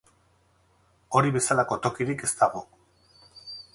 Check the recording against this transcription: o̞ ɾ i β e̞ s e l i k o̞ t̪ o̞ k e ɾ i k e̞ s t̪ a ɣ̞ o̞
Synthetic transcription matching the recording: o̞ ɾ i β e̞ s a l a k o̞ t̪ o̞ k i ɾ i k e̞ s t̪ a ɣ̞ o̞